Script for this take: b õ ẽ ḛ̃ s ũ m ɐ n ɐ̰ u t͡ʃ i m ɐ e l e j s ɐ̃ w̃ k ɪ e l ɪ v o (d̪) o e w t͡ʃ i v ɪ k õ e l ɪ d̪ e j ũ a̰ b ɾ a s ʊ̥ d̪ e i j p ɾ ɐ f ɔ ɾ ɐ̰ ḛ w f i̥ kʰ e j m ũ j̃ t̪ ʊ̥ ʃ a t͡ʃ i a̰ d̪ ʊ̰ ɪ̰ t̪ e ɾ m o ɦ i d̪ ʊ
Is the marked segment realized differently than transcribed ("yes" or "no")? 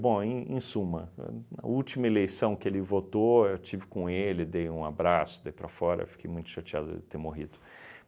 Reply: yes